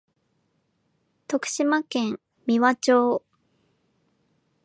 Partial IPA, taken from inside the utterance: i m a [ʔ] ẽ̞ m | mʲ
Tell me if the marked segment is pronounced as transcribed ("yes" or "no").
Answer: no